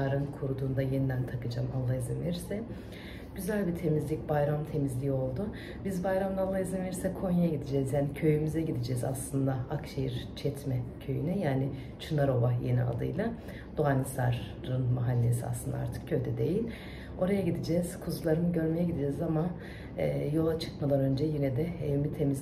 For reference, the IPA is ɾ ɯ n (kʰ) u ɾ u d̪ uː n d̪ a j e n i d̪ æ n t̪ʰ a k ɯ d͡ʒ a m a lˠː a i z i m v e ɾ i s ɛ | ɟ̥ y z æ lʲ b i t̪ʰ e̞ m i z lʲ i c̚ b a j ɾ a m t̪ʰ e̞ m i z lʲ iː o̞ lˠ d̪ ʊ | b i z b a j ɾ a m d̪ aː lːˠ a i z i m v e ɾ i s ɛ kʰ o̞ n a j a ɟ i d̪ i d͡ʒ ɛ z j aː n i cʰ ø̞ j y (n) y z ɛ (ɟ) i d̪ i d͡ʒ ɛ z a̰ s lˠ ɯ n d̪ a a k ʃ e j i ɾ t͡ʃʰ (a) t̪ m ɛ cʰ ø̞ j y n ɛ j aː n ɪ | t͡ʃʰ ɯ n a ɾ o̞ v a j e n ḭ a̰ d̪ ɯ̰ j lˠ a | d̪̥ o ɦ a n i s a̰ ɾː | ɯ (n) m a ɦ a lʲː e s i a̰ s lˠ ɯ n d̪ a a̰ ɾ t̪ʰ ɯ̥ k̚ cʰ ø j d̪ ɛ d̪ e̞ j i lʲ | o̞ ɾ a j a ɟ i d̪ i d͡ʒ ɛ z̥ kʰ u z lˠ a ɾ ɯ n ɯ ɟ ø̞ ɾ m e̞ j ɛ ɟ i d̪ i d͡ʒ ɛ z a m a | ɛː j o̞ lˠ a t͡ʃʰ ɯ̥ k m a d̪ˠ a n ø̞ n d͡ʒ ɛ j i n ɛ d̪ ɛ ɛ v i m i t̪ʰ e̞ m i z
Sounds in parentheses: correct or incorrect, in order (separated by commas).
correct, incorrect, correct, incorrect, correct